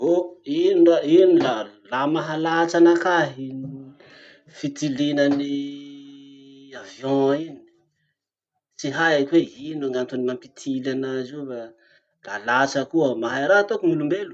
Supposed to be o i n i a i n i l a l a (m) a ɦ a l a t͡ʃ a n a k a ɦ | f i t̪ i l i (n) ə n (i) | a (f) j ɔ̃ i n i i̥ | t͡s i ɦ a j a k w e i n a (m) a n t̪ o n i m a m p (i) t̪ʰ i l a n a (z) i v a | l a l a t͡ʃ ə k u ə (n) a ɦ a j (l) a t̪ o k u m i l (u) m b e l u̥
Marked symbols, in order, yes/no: yes, yes, yes, no, no, yes, yes, no, no, yes

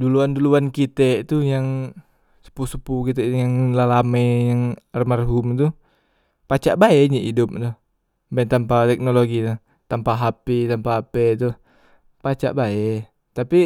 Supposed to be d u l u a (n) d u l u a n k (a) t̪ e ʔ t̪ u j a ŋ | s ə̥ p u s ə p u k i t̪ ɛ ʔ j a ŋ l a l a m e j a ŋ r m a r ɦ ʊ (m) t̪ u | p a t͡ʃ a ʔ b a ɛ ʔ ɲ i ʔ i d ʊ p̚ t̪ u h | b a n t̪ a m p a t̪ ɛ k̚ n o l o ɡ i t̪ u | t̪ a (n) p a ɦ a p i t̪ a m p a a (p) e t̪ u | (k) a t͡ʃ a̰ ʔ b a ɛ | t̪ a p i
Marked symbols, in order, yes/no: yes, no, yes, no, yes, no

